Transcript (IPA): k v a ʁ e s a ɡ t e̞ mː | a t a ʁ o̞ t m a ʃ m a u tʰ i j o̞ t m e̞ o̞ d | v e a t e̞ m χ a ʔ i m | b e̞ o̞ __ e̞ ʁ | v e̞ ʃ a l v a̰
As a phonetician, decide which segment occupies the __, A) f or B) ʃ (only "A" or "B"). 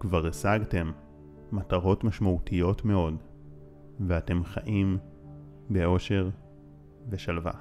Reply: B